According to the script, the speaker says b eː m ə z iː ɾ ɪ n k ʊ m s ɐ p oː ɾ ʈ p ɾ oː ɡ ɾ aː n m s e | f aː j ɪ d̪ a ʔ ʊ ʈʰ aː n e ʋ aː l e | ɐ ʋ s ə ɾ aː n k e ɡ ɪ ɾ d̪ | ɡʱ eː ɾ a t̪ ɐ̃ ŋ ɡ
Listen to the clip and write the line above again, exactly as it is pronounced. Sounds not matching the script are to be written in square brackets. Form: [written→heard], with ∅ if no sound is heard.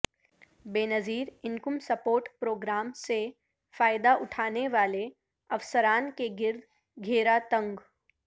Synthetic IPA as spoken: b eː [m→n] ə z iː ɾ ɪ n k ʊ m s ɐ p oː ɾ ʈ p ɾ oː ɡ ɾ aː [n→∅] m s e | f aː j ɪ d̪ a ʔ ʊ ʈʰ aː n e ʋ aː l e | ɐ ʋ s ə ɾ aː n k e ɡ ɪ ɾ d̪ | ɡʱ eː ɾ a t̪ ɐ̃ ŋ ɡ